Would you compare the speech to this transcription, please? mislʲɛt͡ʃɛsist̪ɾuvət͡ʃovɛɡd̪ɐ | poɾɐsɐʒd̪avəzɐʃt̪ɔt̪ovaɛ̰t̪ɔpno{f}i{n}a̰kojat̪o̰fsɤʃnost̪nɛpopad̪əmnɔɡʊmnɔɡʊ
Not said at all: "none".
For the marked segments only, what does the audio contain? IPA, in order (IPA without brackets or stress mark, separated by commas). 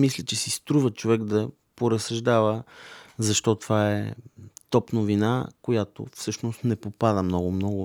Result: v, n